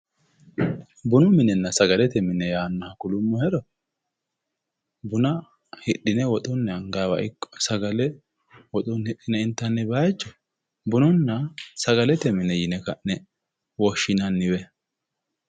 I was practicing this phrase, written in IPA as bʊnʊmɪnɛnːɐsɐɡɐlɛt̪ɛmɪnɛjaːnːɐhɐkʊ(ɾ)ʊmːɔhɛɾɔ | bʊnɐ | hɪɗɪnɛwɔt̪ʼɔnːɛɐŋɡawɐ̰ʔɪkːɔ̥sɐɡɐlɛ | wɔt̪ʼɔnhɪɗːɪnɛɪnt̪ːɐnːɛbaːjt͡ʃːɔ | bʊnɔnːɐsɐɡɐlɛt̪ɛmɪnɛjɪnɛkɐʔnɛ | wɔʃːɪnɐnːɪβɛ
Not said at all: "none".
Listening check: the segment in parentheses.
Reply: l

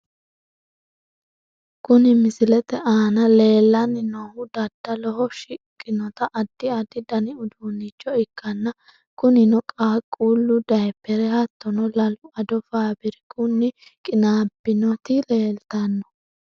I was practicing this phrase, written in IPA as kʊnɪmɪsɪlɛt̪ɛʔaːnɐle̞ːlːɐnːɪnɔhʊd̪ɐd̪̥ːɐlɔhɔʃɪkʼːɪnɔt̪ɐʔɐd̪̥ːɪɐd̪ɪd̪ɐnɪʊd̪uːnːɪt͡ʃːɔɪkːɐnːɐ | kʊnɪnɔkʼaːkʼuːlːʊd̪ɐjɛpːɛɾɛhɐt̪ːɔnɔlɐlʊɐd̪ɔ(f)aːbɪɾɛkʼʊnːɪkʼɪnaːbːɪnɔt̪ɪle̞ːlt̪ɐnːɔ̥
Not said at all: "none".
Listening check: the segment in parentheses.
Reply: f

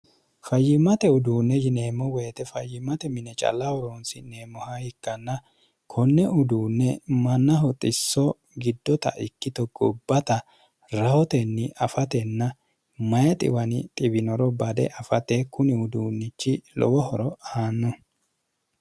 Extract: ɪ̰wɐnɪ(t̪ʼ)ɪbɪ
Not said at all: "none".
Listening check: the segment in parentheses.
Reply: t̪ʼ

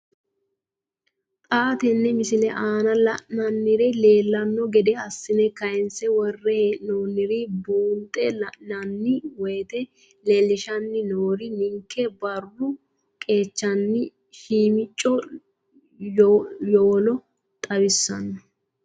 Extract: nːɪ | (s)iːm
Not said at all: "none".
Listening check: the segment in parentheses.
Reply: ʃ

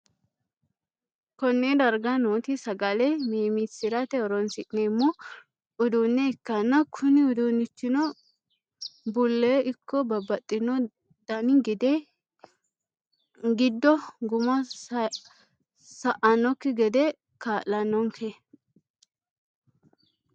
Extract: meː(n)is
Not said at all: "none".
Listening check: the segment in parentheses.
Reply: m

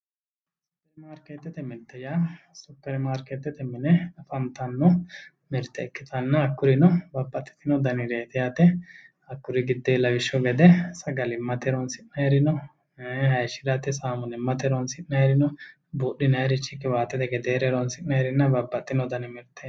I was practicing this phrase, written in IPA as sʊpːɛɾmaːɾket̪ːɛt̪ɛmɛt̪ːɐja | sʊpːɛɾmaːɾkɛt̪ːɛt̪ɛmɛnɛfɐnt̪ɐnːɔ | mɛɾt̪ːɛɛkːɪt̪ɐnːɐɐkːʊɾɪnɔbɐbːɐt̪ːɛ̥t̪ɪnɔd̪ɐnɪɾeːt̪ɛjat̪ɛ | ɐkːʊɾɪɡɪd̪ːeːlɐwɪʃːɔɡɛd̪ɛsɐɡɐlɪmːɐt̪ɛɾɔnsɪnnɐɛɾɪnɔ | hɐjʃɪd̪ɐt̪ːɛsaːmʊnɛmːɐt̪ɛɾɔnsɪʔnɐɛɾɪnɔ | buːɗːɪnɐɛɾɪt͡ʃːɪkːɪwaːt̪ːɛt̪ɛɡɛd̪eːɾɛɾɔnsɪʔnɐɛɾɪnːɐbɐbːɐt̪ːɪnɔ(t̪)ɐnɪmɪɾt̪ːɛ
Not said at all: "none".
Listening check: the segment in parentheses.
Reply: d̪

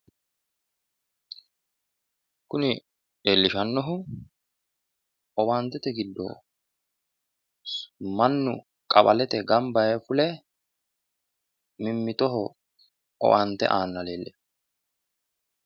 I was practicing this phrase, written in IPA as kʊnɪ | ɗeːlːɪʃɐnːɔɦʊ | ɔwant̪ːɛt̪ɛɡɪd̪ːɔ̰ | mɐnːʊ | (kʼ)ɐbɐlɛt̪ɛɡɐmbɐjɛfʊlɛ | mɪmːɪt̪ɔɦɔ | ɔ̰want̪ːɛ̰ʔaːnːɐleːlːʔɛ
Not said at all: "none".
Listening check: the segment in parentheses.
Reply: kʼ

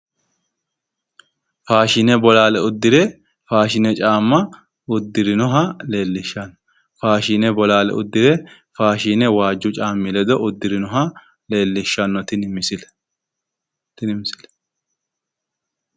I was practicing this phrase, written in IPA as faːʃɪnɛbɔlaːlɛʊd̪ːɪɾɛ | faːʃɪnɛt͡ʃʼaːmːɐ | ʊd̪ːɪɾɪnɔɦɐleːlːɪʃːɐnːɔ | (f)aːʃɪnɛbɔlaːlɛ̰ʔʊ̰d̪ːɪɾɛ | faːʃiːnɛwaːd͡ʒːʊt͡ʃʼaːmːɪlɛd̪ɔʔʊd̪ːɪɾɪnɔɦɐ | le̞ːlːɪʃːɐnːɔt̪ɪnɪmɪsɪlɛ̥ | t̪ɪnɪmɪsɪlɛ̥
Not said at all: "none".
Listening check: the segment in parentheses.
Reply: f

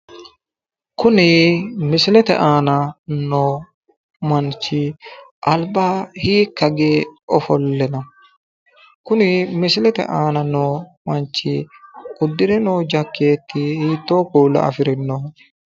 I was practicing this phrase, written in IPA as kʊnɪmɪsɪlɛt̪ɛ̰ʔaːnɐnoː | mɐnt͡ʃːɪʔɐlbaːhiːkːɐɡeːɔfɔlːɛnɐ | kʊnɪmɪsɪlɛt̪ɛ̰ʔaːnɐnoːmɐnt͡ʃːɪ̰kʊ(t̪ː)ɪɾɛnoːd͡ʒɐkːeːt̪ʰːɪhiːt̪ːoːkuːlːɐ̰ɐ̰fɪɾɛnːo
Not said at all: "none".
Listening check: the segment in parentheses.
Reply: d̪ː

